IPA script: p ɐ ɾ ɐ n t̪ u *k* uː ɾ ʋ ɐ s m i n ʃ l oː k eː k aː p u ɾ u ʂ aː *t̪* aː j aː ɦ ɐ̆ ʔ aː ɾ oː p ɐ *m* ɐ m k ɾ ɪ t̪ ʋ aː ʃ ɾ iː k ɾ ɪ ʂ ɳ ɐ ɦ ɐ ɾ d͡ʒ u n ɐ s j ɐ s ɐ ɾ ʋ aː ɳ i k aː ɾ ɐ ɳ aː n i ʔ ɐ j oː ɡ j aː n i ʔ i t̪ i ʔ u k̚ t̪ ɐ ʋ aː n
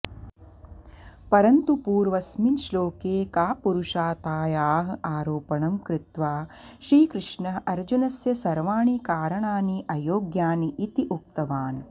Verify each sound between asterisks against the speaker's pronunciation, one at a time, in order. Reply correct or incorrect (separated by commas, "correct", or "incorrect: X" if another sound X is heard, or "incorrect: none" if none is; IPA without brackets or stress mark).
incorrect: p, correct, incorrect: ɳ